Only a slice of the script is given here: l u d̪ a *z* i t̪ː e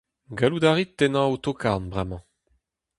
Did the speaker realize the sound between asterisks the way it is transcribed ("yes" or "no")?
no